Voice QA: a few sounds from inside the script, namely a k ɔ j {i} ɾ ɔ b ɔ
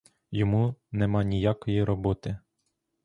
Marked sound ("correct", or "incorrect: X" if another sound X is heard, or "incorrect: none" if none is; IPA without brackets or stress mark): correct